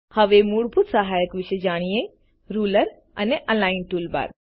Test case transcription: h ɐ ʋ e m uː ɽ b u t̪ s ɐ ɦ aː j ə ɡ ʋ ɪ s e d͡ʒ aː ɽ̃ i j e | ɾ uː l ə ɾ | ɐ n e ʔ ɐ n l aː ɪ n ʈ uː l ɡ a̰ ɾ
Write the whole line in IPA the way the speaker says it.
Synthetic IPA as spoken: h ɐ ʋ e m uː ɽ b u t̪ s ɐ ɦ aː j ə k ʋ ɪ ʃ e d͡ʒ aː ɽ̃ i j e | ɾ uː l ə ɾ | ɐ n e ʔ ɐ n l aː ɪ n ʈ uː l b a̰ ɾ